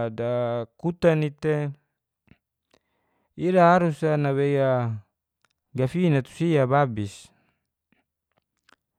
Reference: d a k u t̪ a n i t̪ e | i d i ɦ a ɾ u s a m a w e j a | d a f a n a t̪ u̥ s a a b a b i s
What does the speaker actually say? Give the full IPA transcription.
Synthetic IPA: d a k u t̪ a n i t̪ e | i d a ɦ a ɾ u s a n a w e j a | ɡ a f i n a t̪ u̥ s i a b a b i s